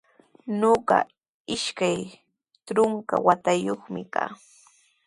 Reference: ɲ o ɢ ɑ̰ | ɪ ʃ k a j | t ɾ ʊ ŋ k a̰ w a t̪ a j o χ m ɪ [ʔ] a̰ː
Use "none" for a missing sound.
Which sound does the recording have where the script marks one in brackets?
k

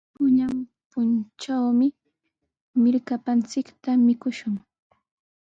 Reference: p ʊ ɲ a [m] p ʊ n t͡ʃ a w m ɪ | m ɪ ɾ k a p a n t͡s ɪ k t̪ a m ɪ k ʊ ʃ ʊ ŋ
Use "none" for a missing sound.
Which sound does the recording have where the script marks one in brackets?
m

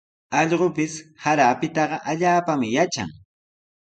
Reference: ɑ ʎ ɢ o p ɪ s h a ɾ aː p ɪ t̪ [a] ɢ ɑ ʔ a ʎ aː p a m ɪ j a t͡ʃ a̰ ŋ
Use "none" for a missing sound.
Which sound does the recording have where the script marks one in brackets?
ɑ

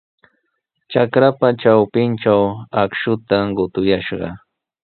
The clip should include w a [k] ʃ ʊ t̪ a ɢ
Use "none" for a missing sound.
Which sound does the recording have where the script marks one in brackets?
k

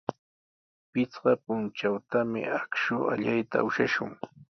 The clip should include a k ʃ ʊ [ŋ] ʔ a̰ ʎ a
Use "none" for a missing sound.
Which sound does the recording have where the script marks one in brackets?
none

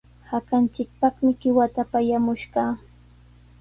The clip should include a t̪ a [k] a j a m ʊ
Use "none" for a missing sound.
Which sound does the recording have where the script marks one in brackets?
p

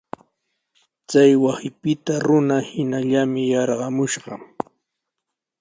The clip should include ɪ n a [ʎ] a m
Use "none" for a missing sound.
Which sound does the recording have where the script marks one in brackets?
ʎ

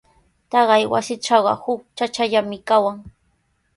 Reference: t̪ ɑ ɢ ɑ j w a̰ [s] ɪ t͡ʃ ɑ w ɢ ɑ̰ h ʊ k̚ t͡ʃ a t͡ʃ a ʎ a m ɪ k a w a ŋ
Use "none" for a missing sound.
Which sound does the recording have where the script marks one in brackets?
s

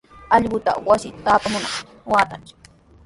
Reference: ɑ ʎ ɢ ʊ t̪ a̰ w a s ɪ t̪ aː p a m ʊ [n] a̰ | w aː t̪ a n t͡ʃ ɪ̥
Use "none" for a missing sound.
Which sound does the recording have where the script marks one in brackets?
n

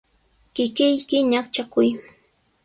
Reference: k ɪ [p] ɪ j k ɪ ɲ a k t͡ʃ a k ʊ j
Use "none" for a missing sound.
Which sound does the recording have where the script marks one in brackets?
k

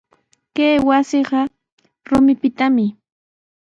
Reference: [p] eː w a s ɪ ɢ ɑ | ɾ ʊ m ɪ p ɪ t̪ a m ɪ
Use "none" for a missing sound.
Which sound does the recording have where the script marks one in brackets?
k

